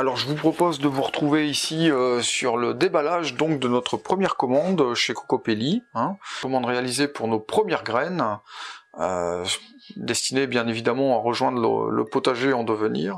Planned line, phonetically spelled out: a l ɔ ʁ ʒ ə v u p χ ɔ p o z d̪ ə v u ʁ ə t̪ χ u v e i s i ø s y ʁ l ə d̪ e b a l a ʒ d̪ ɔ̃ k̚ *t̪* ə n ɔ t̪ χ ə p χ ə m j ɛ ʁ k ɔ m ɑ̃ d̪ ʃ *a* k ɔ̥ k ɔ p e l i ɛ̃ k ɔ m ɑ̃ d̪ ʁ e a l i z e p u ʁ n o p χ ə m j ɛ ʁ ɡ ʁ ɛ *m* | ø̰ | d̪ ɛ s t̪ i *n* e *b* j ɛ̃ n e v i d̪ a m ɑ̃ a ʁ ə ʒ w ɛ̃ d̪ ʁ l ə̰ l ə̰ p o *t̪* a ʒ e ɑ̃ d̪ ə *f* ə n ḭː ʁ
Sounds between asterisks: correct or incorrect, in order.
incorrect: d̪, incorrect: e, incorrect: n, correct, correct, correct, incorrect: v

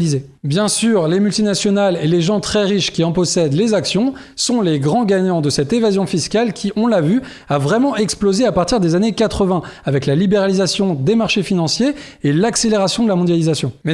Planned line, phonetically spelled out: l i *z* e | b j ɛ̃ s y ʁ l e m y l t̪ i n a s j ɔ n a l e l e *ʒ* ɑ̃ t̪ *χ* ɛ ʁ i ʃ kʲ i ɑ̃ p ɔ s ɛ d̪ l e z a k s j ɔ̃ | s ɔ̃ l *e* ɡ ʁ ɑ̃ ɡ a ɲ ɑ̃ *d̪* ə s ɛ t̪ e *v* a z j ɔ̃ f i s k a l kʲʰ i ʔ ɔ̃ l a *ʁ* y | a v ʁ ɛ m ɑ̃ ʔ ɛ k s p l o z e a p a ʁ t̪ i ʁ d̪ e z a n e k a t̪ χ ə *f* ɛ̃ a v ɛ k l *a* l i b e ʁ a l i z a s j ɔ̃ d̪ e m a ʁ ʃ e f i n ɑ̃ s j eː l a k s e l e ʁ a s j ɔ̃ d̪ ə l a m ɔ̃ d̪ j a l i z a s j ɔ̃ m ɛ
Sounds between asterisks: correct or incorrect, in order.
correct, correct, correct, correct, correct, correct, incorrect: v, incorrect: v, correct

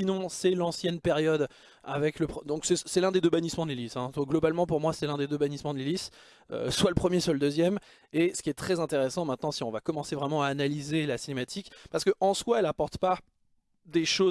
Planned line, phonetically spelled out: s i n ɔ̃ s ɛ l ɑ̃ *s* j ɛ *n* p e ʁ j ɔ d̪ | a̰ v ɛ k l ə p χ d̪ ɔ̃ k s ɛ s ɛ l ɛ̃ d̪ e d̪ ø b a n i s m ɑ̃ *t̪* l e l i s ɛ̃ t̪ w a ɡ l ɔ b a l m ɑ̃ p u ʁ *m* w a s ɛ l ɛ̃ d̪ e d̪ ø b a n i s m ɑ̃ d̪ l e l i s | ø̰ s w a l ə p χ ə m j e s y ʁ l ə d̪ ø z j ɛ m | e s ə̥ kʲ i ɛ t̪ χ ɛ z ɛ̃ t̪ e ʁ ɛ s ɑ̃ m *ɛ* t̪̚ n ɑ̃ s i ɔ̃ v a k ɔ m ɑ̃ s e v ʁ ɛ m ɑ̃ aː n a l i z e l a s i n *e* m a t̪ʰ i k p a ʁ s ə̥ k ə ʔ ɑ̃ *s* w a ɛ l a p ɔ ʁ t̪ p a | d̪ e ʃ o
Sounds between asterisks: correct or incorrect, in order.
correct, correct, incorrect: d̪, correct, incorrect: ɛ̃, correct, correct

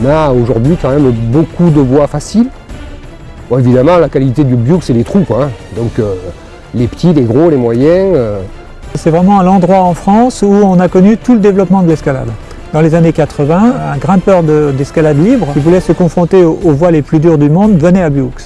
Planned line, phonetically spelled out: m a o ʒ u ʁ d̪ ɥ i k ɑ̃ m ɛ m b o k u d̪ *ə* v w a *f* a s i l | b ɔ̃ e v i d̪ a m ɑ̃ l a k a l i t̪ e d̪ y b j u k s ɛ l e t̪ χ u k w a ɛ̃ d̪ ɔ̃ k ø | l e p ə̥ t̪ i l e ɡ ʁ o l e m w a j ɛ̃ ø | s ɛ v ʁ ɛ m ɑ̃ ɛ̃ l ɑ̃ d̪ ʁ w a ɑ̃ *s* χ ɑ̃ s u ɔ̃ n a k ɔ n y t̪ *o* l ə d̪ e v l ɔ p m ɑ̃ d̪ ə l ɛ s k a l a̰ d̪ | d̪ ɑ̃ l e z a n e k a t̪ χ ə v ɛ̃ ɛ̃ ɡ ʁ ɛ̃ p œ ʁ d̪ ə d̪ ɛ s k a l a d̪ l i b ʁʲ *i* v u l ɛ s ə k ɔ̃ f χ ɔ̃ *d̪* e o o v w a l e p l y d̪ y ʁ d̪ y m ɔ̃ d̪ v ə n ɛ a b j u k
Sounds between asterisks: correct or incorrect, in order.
correct, correct, incorrect: f, incorrect: u, correct, incorrect: t̪

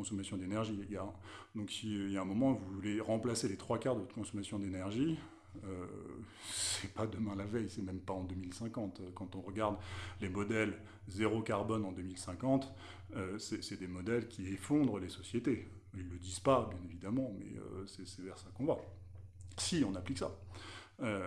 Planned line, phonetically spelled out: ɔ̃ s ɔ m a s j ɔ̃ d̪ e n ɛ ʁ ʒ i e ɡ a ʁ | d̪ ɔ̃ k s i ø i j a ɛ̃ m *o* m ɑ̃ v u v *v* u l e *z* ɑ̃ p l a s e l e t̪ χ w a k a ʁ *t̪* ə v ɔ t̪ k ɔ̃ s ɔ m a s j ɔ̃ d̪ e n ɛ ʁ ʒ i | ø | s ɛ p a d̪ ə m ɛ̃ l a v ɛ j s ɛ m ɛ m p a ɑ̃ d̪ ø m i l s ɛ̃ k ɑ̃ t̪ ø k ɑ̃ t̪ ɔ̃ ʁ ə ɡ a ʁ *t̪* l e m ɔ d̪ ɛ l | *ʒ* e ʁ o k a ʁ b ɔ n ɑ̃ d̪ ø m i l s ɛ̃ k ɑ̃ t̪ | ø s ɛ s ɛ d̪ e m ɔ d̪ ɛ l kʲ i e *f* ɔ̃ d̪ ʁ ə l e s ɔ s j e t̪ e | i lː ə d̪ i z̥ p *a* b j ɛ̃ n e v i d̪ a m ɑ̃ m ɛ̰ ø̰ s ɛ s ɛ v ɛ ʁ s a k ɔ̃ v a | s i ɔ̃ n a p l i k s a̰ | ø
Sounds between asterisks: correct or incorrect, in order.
incorrect: ɔ, correct, incorrect: ʁ, incorrect: d̪, incorrect: d̪, incorrect: z, correct, correct

